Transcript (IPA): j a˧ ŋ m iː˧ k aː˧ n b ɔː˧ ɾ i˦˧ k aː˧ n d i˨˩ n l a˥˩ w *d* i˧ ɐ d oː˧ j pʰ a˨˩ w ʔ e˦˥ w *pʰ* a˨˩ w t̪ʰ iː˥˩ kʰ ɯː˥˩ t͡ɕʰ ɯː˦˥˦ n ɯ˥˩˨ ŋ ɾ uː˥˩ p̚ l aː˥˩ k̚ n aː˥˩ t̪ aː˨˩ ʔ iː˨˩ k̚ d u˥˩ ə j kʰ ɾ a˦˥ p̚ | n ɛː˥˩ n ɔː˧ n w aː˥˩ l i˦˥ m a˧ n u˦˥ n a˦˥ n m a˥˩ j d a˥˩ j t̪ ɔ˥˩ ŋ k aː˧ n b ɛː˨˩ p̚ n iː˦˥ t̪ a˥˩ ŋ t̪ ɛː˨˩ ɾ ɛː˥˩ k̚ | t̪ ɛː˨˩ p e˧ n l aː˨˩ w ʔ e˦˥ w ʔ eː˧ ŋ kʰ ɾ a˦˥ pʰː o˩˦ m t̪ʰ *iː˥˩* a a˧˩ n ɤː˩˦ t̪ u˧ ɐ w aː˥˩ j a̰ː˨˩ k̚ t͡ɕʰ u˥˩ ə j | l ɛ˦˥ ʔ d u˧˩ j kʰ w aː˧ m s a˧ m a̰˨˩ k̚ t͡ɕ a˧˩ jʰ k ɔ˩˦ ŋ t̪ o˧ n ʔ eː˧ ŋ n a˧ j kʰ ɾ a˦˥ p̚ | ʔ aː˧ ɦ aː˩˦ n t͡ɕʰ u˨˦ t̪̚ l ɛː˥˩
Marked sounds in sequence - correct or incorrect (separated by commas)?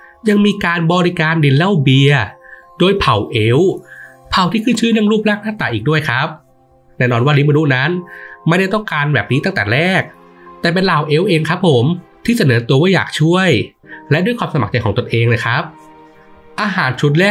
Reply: incorrect, correct, correct